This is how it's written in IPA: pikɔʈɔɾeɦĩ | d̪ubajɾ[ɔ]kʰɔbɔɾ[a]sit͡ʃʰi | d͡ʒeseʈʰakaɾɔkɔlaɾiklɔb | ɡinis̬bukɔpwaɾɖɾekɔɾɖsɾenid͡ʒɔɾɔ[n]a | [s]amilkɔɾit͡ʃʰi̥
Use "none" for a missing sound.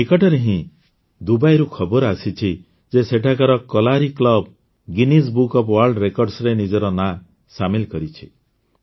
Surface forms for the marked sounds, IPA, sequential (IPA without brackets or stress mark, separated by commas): u, a, n, s